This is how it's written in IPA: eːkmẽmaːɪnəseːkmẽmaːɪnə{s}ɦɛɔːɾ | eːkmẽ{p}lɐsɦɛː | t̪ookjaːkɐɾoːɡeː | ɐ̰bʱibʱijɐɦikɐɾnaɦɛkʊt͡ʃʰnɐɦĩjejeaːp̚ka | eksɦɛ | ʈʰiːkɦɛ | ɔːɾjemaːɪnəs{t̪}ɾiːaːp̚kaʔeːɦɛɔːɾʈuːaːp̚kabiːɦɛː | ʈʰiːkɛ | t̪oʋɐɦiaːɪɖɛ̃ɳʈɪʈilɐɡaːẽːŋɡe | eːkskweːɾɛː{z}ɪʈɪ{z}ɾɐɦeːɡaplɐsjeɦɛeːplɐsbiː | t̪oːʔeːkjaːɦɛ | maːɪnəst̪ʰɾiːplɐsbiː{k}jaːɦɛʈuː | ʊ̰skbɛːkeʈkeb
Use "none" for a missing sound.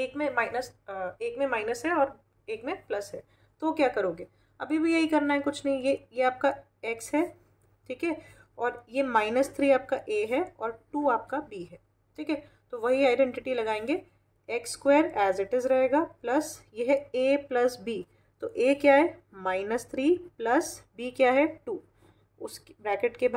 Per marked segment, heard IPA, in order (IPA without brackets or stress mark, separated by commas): s, p, t̪ʰ, z, z, k